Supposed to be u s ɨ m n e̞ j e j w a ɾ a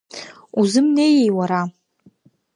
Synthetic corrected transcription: u z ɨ m n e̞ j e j w a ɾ a